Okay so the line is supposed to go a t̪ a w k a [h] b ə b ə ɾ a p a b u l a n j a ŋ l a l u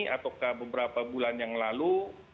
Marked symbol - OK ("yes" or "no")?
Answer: yes